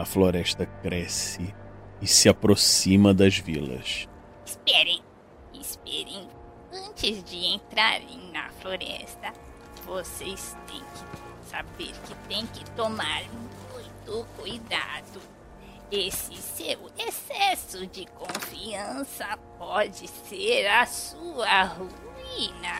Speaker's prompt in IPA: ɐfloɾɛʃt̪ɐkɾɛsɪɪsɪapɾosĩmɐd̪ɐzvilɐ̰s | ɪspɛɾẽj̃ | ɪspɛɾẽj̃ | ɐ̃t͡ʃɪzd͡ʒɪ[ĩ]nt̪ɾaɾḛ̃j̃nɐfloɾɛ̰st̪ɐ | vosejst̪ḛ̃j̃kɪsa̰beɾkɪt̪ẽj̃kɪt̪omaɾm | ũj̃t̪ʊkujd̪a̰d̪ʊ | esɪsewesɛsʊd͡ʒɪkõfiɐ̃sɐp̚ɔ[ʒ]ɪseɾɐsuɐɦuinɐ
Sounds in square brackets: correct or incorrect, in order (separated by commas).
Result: incorrect, incorrect